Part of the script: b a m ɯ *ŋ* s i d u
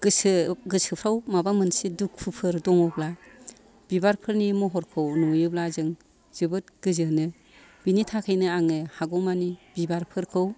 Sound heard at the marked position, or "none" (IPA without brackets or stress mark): n